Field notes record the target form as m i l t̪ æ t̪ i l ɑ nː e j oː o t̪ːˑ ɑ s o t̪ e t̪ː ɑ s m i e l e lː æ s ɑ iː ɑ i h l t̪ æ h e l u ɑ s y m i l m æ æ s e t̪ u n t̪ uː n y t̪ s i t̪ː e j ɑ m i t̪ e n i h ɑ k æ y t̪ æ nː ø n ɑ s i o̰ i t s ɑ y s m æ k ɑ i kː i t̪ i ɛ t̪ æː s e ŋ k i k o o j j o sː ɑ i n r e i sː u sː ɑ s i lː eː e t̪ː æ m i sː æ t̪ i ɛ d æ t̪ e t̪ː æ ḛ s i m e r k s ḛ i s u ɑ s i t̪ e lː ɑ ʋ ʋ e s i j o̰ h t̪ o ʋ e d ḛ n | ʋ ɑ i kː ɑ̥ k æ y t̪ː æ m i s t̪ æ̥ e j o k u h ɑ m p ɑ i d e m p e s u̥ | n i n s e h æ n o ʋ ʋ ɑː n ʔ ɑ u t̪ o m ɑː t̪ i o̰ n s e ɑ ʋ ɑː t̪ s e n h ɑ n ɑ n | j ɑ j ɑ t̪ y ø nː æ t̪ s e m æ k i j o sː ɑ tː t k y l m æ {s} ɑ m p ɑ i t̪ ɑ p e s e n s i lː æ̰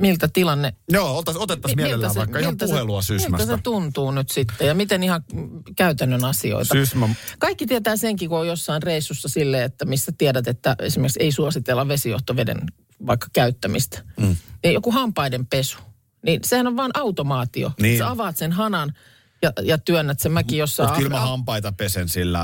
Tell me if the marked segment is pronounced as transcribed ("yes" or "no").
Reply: no